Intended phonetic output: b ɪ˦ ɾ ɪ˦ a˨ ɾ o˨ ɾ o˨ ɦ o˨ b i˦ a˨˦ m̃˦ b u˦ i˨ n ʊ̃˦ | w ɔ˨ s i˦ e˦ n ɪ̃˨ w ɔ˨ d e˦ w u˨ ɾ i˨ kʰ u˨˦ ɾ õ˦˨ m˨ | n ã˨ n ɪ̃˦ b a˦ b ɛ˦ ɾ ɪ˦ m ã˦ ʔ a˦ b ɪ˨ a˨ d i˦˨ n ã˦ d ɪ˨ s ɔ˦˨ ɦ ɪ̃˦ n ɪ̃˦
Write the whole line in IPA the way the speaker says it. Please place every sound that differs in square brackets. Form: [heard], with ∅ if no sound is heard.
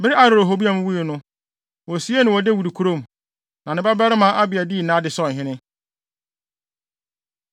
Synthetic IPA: b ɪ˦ ɾ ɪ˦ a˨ ɾ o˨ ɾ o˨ ɦ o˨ b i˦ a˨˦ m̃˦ [w] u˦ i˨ n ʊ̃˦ | w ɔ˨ s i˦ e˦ n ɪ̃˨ w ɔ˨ d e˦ w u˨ ɾ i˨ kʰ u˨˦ ɾ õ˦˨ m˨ | n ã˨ n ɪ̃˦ b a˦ b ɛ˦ ɾ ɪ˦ m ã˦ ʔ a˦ b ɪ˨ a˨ d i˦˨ n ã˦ d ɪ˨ s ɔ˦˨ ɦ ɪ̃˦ n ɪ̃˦